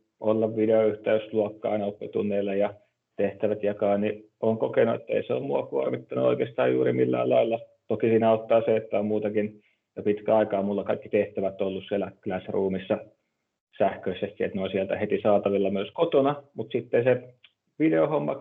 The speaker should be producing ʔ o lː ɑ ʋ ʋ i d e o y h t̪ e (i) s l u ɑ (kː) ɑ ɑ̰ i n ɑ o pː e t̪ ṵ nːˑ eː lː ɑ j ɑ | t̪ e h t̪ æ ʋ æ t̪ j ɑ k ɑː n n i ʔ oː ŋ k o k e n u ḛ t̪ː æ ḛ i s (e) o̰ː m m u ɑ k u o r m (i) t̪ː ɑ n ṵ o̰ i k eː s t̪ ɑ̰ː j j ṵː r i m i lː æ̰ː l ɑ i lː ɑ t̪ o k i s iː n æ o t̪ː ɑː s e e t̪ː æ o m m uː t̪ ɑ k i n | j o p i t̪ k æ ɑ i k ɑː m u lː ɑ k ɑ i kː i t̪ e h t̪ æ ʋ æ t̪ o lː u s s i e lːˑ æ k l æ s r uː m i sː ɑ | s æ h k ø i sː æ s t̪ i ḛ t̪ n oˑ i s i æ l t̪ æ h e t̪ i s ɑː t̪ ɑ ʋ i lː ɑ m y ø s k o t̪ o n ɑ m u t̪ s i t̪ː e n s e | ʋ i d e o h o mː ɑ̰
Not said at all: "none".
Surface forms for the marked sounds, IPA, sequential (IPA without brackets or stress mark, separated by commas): y, kː, e, i